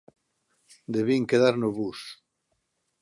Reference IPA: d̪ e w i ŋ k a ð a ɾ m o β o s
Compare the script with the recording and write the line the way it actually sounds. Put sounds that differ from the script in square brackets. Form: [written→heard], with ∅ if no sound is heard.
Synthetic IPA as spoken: d̪ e [w→β] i ŋ k [a→e] ð a ɾ [m→n] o β [o→u] s